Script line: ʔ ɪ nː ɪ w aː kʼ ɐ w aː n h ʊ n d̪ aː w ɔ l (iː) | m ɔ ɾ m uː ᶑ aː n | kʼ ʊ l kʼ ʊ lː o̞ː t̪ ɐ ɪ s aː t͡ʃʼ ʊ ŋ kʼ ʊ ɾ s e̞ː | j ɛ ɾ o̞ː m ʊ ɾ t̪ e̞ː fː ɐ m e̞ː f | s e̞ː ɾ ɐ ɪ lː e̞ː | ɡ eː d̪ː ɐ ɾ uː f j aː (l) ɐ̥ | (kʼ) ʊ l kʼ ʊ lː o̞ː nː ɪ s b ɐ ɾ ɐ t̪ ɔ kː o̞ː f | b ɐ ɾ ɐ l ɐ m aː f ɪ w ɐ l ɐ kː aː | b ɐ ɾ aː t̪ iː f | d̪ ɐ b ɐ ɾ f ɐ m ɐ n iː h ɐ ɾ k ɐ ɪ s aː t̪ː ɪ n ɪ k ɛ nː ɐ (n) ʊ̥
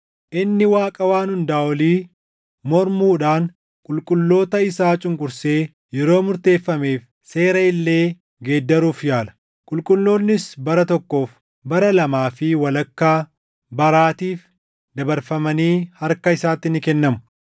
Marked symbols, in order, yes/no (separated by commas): yes, yes, yes, no